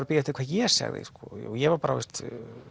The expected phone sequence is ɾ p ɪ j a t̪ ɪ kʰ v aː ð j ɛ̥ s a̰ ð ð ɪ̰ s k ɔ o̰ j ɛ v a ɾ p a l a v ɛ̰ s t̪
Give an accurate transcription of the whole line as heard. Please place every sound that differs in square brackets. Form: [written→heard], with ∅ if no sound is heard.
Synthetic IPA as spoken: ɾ p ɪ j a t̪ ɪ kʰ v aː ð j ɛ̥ s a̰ [ð→ɣ] ð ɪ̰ s k ɔ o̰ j ɛ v a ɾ p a [l→ɾ] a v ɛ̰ s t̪